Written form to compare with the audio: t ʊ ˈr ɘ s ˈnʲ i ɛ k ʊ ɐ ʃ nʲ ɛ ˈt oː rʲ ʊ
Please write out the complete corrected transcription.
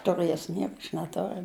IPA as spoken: t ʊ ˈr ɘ s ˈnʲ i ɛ k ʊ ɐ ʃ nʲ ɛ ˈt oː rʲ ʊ